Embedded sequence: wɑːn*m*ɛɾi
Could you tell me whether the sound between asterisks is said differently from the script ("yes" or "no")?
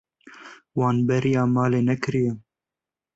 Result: yes